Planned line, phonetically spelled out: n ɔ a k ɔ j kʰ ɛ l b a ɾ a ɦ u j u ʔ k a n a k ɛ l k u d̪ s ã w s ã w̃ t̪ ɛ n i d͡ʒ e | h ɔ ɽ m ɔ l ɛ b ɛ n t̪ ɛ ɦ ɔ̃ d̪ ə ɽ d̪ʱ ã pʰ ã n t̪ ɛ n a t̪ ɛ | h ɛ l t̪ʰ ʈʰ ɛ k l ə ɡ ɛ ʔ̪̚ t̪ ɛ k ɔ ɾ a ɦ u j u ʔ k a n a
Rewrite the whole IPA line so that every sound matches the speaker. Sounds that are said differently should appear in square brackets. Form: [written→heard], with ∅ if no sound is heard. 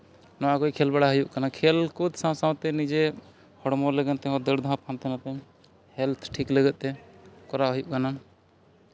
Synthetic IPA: n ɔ a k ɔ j kʰ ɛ l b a [ɾ→ɽ] a ɦ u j u ʔ k a n a [k→kʰ] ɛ l k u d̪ s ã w s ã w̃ t̪ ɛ n i d͡ʒ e | h ɔ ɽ m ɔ l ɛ [b→ɡ] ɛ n t̪ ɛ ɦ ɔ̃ d̪ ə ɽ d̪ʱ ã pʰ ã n t̪ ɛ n a t̪ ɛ | h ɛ l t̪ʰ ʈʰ [ɛ→i] k l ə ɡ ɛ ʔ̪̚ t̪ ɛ k ɔ ɾ a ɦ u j u ʔ k a n a

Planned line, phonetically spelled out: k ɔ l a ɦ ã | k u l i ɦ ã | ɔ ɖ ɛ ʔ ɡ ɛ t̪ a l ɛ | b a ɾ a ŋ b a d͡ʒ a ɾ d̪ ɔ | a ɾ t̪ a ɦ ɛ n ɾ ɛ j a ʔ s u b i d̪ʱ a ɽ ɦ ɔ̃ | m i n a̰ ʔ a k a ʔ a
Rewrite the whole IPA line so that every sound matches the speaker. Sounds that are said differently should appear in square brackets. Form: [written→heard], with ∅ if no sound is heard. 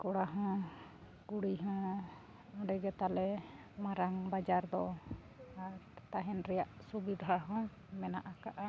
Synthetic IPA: k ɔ [l→ɽ] a ɦ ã | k u [l→ɽ] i ɦ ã | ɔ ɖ ɛ [ʔ→∅] ɡ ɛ t̪ a l ɛ | [b→m] a ɾ a ŋ b a d͡ʒ a ɾ d̪ ɔ | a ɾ t̪ a ɦ ɛ n ɾ ɛ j a ʔ s u b i d̪ʱ a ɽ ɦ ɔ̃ | m [i→ɛ] n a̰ ʔ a k a ʔ a

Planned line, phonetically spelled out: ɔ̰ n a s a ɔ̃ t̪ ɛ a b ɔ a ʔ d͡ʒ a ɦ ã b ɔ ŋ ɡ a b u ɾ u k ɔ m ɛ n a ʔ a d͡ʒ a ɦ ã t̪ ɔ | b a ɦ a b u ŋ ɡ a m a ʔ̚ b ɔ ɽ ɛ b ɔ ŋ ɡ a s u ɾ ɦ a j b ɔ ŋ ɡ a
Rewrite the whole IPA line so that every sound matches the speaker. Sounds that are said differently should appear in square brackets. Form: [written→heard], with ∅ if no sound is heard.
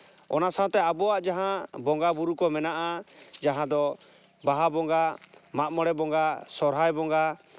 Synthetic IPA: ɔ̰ n a s a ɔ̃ t̪ ɛ a b ɔ a ʔ d͡ʒ a ɦ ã b ɔ ŋ ɡ a b u ɾ u k ɔ m ɛ n a ʔ a d͡ʒ a ɦ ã [t̪→d̪] ɔ | b a ɦ a b [u→ɔ] ŋ ɡ a m a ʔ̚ [b→m] ɔ ɽ ɛ b ɔ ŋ ɡ a s [u→ɔ] ɾ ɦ a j b ɔ ŋ ɡ a

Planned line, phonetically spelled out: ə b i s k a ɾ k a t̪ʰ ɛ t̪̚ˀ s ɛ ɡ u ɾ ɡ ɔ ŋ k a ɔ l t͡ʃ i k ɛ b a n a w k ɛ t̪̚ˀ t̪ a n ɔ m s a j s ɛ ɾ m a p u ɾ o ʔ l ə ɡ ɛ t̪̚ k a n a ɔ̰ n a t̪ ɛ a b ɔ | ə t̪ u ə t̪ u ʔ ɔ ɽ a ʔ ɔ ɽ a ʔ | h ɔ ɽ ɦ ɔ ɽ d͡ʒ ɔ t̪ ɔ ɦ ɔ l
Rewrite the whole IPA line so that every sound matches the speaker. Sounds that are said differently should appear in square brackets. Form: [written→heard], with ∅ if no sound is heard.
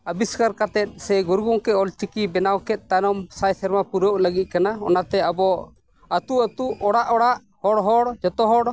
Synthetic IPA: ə b i s k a ɾ k a [t̪ʰ→t̪] ɛ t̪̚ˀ s ɛ ɡ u ɾ ɡ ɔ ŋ k [a→ɛ] ɔ l t͡ʃ i k [ɛ→i] b [a→ɛ] n a w k ɛ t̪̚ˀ t̪ a n ɔ m s a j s ɛ ɾ m a p u ɾ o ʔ l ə ɡ [ɛ→i] t̪̚ k a n a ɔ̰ n a t̪ ɛ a b ɔ | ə t̪ u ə t̪ u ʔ ɔ ɽ a ʔ ɔ ɽ a ʔ | h ɔ ɽ ɦ ɔ ɽ d͡ʒ ɔ t̪ ɔ ɦ ɔ [l→ɽ]

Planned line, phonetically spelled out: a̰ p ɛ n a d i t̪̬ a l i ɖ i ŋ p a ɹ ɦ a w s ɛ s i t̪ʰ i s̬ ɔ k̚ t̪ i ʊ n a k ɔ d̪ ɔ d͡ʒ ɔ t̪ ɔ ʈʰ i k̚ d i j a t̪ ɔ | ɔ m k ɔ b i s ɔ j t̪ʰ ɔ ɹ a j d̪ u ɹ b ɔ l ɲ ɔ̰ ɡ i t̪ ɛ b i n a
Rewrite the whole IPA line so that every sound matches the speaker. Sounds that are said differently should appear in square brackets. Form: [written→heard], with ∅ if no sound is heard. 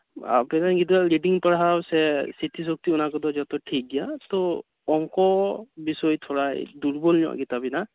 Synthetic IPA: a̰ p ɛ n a [d→ɡ] i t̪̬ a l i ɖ i ŋ p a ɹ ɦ a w s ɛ s i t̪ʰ i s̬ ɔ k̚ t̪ i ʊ n a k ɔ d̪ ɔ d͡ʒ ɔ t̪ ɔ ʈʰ i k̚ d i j a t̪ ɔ | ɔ [m→ŋ] k ɔ b i s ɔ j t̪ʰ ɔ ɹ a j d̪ u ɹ b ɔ l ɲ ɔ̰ ɡ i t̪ [ɛ→a] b i n a

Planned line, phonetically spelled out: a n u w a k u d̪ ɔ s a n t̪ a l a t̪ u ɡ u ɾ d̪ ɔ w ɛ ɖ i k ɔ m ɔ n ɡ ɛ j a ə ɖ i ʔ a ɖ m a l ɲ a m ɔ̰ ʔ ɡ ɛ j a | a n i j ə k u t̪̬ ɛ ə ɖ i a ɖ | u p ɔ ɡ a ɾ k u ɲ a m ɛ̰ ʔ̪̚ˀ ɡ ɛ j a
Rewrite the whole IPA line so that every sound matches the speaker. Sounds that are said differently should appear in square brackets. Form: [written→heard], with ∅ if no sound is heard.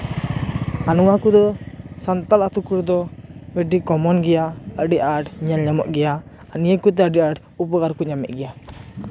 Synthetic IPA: a n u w a k u d̪ ɔ s a n t̪ a l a t̪ u [ɡ→k] u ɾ d̪ ɔ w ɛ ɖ i k ɔ m ɔ n ɡ ɛ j a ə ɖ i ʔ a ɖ [m→ɲ] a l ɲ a m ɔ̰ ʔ ɡ ɛ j a | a n i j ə k u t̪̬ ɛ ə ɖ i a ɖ | u p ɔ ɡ a ɾ k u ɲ a m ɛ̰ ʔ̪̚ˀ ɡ ɛ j a

